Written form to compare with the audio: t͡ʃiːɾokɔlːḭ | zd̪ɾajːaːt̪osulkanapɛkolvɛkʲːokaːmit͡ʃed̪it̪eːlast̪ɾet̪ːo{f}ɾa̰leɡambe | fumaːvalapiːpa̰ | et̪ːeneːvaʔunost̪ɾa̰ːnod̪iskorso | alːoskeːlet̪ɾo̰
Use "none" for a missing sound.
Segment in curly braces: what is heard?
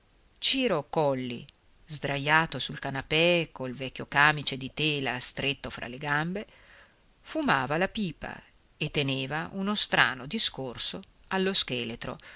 f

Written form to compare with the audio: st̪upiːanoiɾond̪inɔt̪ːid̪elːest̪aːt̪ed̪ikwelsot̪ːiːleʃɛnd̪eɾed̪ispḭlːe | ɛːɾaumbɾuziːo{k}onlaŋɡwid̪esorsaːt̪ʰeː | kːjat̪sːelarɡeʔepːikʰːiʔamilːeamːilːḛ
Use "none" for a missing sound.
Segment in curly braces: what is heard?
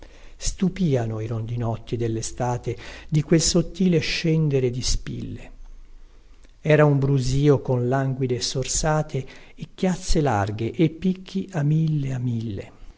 k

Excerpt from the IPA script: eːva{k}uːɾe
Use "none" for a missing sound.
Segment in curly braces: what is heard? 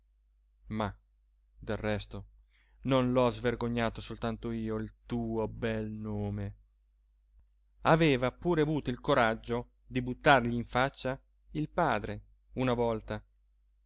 p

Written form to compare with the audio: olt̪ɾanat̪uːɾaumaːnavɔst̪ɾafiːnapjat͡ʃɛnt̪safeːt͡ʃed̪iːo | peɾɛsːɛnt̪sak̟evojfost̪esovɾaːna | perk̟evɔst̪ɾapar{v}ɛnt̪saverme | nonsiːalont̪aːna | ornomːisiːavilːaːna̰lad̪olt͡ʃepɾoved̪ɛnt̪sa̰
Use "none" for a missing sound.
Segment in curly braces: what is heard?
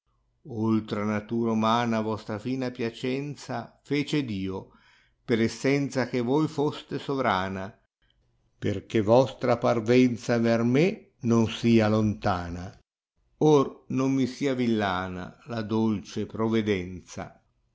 v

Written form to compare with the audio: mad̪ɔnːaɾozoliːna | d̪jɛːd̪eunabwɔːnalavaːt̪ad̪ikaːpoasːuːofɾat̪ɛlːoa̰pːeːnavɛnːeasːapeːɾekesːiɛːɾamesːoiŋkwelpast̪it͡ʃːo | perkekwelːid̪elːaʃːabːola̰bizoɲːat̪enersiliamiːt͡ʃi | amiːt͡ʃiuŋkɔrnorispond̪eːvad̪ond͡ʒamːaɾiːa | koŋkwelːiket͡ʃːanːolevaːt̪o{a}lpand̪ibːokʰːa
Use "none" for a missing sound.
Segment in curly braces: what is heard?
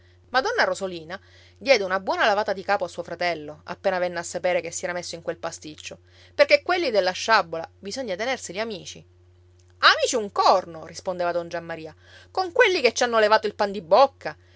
i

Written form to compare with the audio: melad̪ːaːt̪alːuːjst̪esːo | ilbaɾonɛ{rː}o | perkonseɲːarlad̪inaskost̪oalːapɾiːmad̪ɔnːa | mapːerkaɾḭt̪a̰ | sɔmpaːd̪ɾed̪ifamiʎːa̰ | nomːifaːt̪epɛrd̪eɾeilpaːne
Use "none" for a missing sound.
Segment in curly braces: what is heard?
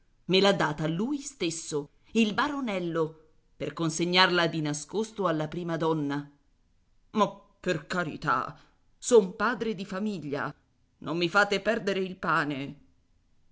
lː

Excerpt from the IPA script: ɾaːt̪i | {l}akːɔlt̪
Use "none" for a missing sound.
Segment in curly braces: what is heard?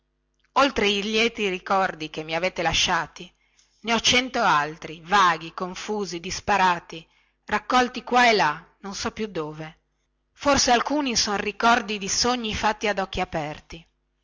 r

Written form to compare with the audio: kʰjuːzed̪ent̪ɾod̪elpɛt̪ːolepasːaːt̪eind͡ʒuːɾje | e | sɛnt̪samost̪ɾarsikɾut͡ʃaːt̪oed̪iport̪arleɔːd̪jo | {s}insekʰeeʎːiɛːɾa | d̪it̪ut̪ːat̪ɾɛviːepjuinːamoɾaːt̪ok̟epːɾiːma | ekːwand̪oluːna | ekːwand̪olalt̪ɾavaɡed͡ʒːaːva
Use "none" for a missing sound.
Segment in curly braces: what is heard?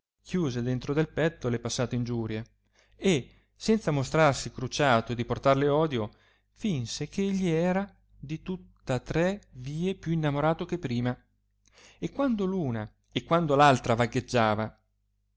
f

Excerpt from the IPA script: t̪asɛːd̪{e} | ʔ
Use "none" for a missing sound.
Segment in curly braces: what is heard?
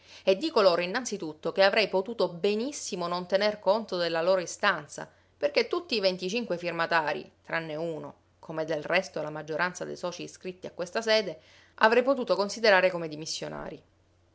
e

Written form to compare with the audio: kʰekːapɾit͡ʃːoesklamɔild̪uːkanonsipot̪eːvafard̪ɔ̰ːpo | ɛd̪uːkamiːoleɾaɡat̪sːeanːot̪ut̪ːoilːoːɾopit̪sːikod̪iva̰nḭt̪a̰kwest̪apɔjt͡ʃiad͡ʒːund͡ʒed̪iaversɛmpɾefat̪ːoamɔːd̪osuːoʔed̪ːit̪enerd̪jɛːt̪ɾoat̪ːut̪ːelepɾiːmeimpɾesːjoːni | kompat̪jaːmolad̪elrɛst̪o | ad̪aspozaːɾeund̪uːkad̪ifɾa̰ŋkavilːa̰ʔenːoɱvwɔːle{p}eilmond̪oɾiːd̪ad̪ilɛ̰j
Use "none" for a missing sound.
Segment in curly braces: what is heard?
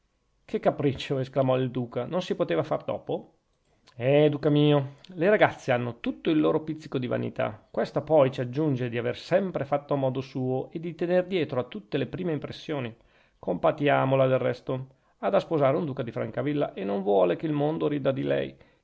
k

